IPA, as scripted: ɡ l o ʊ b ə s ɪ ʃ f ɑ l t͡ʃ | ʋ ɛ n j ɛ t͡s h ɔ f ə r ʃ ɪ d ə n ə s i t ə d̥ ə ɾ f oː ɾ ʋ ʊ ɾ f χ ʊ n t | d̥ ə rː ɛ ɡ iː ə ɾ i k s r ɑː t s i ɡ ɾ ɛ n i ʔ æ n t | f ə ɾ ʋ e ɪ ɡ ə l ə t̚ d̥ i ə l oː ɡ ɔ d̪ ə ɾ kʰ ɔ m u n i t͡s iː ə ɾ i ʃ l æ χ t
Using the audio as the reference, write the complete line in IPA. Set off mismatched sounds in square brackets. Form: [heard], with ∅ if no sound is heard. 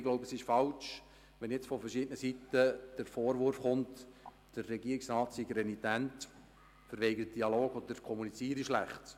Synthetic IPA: ɡ l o ʊ b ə s ɪ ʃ f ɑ l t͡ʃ | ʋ ɛ n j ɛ t͡s [f] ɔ f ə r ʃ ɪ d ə n ə s i t ə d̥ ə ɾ f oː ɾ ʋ ʊ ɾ f χ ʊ n t | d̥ ə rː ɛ ɡ [i] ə ɾ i k s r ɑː t s i ɡ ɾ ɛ n i [t] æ n t | f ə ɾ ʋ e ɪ ɡ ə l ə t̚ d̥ i [ɑ] l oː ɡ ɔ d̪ ə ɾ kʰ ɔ m u n i t͡s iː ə ɾ i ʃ l æ χ t